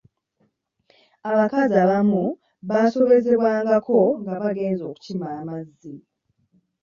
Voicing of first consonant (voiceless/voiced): voiced